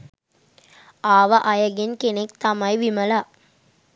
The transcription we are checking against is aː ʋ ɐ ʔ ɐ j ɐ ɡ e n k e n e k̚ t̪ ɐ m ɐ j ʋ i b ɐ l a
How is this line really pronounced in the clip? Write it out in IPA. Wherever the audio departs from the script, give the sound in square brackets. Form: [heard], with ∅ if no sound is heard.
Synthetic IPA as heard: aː ʋ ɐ ʔ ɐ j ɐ ɡ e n k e n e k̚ t̪ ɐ m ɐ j ʋ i [m] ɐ l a

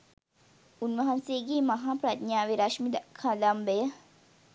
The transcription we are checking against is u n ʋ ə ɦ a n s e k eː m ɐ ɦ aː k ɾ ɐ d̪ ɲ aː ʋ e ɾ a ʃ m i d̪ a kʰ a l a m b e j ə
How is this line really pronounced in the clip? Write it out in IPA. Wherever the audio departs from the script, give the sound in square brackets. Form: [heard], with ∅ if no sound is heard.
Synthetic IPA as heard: u n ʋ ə ɦ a n s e [ɡ] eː m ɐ ɦ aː [p] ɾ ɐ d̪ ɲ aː ʋ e ɾ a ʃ m i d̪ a kʰ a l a m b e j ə

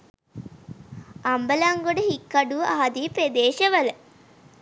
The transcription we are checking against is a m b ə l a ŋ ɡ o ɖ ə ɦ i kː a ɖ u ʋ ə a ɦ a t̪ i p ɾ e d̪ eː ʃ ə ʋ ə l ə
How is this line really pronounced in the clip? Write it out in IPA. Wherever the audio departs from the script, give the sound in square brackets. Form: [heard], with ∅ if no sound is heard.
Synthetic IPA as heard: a m b ə l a ŋ ɡ o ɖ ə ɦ i kː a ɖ u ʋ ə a ɦ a [d̪] i p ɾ e d̪ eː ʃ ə ʋ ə l ə

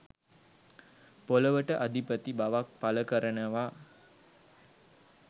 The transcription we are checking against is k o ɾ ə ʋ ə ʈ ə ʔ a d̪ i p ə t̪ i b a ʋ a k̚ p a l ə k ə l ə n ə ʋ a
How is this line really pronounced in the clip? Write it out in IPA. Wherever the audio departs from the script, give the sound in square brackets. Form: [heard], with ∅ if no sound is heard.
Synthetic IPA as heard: [p] o [l] ə ʋ ə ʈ ə ʔ a d̪ i p ə t̪ i b a ʋ a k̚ p a l ə k ə [ɾ] ə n ə ʋ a

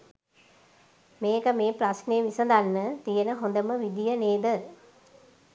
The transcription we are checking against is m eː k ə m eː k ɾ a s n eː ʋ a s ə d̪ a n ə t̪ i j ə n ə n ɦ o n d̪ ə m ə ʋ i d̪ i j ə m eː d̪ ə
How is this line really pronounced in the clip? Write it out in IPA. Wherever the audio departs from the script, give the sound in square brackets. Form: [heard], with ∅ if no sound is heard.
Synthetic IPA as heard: m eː k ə m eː [p] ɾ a s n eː ʋ [i] s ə d̪ a [nː] ə t̪ i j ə n ə [∅] ɦ o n d̪ ə m ə ʋ i d̪ i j ə [n] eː d̪ ə

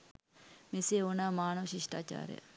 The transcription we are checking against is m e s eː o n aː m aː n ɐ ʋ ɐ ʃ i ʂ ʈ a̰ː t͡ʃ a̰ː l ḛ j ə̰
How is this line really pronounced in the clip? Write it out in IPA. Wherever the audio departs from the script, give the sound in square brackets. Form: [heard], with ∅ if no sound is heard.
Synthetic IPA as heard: m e s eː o n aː m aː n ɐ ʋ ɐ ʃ i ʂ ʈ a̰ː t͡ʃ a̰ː [ɾ] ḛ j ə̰

